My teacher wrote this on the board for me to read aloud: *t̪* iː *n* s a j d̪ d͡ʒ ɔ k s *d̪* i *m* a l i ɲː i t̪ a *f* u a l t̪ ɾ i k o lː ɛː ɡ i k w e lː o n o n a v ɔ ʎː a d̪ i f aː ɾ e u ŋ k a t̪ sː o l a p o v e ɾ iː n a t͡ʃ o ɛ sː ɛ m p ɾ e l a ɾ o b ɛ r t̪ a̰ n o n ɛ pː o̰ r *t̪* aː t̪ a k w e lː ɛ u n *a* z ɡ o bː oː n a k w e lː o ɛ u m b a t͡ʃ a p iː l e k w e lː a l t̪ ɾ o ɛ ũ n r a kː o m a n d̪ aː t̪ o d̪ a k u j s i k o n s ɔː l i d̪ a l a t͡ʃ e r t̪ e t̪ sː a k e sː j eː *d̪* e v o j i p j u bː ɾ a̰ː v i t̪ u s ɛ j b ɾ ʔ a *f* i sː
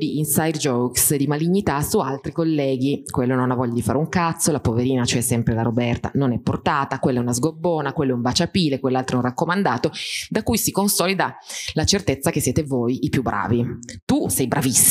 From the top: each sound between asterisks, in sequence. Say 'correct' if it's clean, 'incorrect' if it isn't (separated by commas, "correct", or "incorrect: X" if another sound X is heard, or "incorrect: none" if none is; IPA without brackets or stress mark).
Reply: incorrect: d̪, correct, correct, correct, incorrect: s, correct, correct, incorrect: t̪, incorrect: v